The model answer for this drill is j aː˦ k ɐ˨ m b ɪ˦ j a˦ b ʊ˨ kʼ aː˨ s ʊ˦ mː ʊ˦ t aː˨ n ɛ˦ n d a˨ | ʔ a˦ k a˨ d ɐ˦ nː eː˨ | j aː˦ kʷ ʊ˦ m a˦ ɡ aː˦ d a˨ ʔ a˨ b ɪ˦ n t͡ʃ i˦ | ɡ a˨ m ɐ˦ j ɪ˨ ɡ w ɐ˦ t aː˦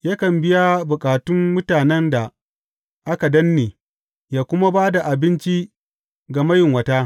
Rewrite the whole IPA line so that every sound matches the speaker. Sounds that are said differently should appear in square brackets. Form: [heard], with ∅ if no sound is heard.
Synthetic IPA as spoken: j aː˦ k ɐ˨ m b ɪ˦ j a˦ b ʊ˨ kʼ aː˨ [t] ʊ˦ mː ʊ˦ t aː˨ n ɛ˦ n d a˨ | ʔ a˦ k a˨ d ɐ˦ nː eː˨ | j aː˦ kʷ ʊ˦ m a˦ [b] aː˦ d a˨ ʔ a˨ b ɪ˦ n t͡ʃ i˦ | ɡ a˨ m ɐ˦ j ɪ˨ [ŋ] w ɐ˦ t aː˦